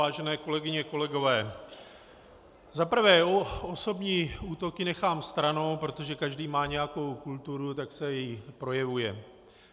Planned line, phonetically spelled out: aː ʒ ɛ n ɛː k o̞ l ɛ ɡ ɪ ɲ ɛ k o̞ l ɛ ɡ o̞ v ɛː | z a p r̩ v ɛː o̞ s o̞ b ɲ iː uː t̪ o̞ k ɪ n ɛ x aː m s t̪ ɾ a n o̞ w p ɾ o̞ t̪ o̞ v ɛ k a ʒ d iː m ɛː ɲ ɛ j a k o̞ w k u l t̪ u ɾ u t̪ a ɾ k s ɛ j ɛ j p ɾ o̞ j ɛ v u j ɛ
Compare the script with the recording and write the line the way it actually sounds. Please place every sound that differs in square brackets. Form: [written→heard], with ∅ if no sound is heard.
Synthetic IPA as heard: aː ʒ ɛ n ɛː k o̞ l ɛ ɡ ɪ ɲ ɛ k o̞ l ɛ ɡ o̞ v ɛː | z a p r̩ v ɛː o̞ s o̞ b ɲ iː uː t̪ o̞ k ɪ n ɛ x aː m s t̪ ɾ a n o̞ w p ɾ o̞ t̪ o̞ [v→ʒ] ɛ k a ʒ d iː m [ɛː→aː] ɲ ɛ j a k o̞ w k u l t̪ u ɾ u t̪ a [ɾ→∅] k s ɛ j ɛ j p ɾ o̞ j ɛ v u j ɛ